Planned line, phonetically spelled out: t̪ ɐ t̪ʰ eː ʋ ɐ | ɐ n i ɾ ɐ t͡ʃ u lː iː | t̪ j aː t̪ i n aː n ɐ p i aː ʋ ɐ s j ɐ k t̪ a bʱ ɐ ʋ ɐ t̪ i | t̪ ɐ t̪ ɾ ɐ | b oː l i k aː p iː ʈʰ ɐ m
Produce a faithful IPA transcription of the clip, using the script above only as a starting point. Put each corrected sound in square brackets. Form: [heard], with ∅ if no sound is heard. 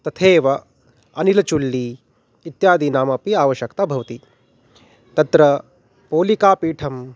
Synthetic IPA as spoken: t̪ ɐ t̪ʰ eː ʋ ɐ | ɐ n i [l] ɐ t͡ʃ u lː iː | t̪ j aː [d̪] i n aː [m] ɐ p i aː ʋ ɐ [ʃ] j ɐ k t̪ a bʱ ɐ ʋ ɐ t̪ i | t̪ ɐ t̪ ɾ ɐ | [p] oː l i k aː p iː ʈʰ ɐ m